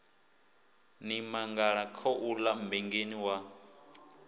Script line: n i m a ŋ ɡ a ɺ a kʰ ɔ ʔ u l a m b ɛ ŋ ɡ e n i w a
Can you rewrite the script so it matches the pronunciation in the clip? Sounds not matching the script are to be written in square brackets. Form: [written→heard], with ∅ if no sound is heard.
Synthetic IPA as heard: n i m a ŋ ɡ a ɺ a kʰ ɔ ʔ u l a m b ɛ ŋ ɡ e n i w a